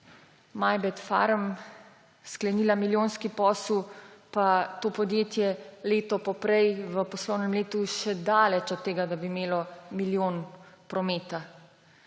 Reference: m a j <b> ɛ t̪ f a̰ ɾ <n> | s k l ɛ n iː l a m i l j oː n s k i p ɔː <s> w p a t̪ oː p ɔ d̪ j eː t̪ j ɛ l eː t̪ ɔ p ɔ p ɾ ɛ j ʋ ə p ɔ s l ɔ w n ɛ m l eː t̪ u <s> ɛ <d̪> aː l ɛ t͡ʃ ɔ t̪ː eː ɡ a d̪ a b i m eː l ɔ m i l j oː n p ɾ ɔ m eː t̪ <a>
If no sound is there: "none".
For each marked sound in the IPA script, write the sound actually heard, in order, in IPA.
b, m, s, ʃ, d̪, a

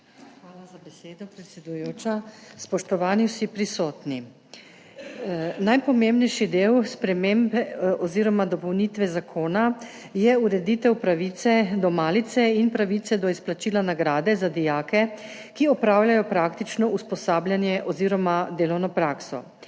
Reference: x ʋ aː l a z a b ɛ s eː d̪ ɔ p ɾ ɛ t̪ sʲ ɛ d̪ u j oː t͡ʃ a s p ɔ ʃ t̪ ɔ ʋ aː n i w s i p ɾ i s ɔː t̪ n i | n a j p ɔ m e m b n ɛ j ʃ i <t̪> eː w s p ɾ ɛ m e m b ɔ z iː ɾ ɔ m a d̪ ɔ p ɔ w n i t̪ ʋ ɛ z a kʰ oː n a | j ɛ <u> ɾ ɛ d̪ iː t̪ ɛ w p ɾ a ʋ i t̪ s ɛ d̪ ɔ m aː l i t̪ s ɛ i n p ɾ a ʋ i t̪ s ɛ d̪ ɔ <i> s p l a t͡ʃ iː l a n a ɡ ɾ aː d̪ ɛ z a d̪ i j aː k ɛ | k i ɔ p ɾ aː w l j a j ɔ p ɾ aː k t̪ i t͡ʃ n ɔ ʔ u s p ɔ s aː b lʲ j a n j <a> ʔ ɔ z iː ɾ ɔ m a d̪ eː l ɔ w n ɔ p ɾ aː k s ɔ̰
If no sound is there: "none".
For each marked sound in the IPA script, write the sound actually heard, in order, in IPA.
d̪, u, i, ɛ

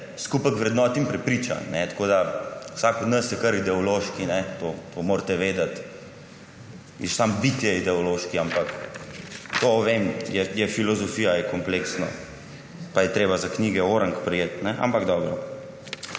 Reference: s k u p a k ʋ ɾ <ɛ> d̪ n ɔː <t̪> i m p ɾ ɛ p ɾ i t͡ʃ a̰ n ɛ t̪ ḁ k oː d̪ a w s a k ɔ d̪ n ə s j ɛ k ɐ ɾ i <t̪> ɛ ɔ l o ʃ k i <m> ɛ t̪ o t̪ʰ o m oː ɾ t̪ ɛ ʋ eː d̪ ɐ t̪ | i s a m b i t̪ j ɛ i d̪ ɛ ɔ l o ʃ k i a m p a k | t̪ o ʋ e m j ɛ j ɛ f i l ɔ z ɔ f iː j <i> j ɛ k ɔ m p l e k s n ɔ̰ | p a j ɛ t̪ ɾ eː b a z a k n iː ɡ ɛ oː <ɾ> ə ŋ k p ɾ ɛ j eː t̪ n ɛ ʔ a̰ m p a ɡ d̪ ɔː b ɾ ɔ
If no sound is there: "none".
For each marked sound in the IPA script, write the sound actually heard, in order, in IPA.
ɛ, t̪, d̪, n, a, ɾ

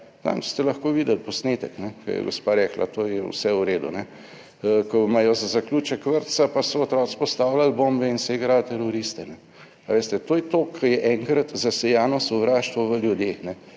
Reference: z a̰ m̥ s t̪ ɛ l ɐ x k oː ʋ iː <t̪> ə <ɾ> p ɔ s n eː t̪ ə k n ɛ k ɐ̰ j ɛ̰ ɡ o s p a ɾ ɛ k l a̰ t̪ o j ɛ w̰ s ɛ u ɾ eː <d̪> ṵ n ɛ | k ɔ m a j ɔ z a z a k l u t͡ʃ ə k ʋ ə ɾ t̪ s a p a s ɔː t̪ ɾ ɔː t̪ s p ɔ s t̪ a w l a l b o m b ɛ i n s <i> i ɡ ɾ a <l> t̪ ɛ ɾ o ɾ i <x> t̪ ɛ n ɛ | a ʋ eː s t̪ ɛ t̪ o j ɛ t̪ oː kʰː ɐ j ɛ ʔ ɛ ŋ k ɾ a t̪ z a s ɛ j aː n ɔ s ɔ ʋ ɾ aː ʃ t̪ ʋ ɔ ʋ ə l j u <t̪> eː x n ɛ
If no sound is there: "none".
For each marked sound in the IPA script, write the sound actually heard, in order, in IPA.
d̪, l, d̪, ɛ, l, s, d̪

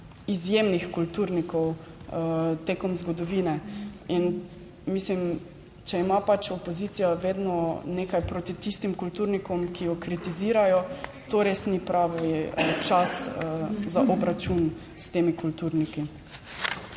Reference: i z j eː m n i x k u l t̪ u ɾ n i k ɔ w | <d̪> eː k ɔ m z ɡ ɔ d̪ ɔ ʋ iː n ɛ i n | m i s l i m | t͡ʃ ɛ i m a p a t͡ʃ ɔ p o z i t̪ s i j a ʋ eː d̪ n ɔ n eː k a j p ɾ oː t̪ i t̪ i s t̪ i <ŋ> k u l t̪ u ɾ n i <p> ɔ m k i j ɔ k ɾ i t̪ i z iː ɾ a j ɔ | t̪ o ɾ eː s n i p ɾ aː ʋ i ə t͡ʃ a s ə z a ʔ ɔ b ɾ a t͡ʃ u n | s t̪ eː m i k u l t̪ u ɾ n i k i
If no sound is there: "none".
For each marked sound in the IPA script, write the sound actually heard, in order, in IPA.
t̪, m, k

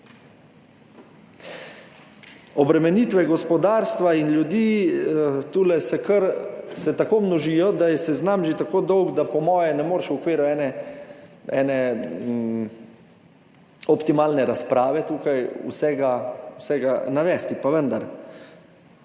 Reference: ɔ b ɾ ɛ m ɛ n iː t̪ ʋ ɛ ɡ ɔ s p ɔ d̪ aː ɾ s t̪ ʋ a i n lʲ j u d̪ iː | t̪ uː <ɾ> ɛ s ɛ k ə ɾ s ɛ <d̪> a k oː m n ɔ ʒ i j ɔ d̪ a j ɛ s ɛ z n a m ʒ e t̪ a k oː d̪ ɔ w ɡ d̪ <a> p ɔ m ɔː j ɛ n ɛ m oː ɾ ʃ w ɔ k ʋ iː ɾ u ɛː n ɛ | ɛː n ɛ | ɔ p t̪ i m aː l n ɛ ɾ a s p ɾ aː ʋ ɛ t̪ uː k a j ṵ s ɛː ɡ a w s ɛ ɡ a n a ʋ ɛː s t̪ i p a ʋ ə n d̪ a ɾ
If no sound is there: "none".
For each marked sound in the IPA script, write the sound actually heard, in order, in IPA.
l, t̪, a

